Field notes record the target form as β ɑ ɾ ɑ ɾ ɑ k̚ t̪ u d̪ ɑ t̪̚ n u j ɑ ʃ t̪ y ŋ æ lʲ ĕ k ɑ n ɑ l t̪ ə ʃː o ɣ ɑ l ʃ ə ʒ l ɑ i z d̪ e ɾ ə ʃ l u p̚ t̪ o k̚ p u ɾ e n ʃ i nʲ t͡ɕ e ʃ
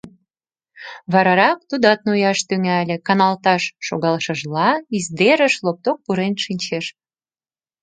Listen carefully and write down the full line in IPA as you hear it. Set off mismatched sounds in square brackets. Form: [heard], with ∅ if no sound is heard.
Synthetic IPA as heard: β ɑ ɾ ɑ ɾ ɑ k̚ t̪ u d̪ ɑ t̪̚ n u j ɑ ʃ t̪ y ŋ æ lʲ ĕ k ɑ n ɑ l t̪ [ɑ] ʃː o ɣ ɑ l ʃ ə ʒ l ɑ i z d̪ e ɾ ə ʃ l [o] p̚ t̪ o k̚ p u ɾ e n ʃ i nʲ t͡ɕ e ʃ

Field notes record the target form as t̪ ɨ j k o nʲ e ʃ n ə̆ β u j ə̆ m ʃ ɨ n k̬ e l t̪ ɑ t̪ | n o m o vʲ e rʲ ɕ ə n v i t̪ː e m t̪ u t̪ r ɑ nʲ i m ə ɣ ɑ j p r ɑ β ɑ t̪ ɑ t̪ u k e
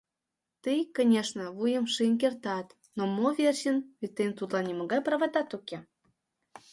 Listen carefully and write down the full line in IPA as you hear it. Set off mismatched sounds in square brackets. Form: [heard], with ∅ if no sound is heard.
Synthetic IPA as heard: t̪ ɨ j k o nʲ e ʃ n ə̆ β u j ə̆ m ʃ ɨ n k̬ e [r] t̪ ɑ t̪ | n o m o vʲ e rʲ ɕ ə n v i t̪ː e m t̪ u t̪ [l] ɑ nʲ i m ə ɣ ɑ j p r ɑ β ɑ t̪ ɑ t̪ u k e

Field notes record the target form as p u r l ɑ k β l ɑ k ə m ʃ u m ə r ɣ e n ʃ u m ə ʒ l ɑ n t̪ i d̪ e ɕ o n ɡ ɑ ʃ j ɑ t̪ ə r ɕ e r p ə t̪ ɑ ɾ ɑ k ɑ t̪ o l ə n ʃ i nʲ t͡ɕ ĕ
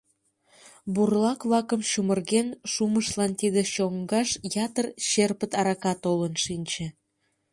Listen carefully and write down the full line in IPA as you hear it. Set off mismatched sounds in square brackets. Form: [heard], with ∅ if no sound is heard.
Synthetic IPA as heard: [b] u r l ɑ k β l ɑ k ə m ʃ u m ə r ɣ e n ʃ u m ə [ʃ] l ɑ n t̪ i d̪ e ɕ o [ŋ] ɡ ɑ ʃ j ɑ t̪ ə r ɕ e r p ə t̪ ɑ ɾ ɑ k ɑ t̪ o l ə n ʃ i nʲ t͡ɕ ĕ

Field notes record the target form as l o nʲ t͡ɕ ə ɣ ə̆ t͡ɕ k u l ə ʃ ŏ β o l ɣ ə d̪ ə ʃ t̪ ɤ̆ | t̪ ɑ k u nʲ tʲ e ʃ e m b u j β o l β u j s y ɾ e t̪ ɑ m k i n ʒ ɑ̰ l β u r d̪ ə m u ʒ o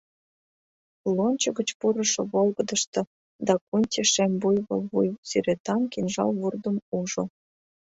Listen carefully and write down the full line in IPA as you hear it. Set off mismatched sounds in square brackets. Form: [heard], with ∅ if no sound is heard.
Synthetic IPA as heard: l o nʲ t͡ɕ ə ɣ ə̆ t͡ɕ [p] u [ɾ] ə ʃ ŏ β o l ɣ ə d̪ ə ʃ t̪ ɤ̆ | [d̪] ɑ k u nʲ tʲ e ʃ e m b u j β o l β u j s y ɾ e t̪ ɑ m k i n ʒ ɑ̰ l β u r d̪ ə m u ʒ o

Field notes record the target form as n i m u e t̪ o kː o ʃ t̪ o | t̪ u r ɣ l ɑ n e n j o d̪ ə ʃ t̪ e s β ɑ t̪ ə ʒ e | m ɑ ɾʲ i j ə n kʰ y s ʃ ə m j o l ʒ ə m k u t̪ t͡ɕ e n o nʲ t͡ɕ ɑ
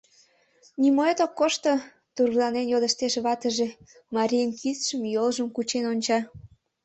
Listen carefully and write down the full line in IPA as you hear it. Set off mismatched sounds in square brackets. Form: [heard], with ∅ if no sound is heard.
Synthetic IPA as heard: n i m [o] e t̪ o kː o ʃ t̪ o | t̪ u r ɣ l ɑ n e n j o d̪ ə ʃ t̪ e [ʃ] β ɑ t̪ ə ʒ e | m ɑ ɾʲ i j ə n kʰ [i] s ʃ ə m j o l ʒ ə m k u [∅] t͡ɕ e n o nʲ t͡ɕ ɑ

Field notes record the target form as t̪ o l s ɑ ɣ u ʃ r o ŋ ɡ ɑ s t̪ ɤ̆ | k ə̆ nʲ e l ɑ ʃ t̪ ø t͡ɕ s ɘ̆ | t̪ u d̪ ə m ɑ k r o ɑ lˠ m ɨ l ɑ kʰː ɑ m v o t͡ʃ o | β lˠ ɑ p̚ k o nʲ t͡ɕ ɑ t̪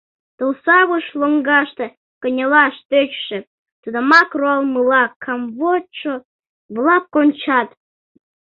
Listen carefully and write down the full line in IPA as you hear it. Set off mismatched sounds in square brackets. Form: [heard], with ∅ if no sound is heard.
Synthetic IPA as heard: t̪ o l s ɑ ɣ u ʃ [l] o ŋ ɡ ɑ [ʃ] t̪ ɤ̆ | k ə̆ nʲ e l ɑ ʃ t̪ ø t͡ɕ [ʃ] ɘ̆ | t̪ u d̪ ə m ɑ k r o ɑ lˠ m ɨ l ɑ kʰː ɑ m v o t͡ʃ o | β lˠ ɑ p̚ k o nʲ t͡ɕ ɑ t̪

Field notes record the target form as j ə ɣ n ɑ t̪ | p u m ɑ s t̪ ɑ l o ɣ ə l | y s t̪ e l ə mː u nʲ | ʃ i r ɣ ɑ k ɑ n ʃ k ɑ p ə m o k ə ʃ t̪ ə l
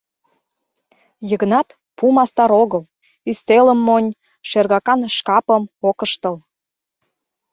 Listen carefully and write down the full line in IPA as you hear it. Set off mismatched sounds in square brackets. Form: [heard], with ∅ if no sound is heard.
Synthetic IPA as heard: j ə ɣ n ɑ t̪ | p u m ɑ s t̪ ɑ [ɾ] o ɣ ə l | y s t̪ e l ə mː [o] nʲ | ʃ [e] r ɣ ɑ k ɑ n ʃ k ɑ p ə m o k ə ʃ t̪ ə l

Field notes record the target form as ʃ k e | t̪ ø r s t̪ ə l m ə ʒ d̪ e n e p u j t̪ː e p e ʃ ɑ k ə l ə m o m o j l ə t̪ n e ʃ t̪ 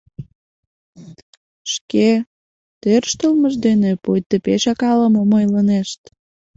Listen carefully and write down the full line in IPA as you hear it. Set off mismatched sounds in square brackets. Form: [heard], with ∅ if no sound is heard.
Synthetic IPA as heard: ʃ k e | t̪ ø r [ʃ] t̪ ə l m ə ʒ d̪ e n e p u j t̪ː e p e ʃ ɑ k [ɑ] l ə m o m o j l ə [∅] n e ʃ t̪

